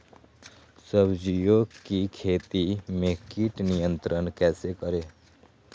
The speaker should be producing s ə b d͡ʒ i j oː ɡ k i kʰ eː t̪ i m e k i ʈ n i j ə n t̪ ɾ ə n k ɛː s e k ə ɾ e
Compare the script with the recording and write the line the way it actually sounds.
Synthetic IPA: s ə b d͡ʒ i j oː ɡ k i kʰ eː t̪ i m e k i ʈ n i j ə n t̪ ɾ ə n k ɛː s e k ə ɾ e